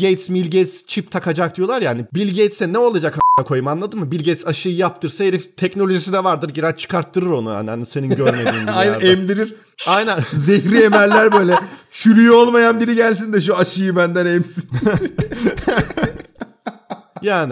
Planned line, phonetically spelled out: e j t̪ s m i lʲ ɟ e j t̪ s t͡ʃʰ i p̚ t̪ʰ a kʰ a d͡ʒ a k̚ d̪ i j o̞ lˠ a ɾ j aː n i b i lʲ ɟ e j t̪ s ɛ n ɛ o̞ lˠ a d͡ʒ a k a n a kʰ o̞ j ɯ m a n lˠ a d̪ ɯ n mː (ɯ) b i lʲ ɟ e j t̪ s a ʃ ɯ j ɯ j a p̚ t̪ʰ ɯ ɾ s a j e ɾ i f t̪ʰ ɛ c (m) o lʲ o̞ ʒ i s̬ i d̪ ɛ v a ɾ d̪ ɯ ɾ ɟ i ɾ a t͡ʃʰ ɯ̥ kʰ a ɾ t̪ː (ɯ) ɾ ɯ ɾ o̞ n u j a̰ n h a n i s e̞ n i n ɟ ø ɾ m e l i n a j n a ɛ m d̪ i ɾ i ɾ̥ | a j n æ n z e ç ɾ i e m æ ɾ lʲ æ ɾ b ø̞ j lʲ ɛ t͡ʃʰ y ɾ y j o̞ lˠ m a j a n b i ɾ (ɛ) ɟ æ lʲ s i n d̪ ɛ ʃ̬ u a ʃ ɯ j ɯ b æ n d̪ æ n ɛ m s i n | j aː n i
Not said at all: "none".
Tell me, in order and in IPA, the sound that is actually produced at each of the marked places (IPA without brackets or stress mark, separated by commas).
ɯ, n, ɯ, i